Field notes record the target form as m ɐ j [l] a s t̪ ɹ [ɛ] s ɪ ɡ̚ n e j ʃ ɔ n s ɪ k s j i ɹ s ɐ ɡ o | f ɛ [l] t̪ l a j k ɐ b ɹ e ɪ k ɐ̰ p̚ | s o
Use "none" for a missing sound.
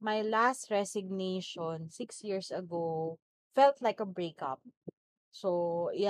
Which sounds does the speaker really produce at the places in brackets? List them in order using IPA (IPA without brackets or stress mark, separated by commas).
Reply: l, ɛ, l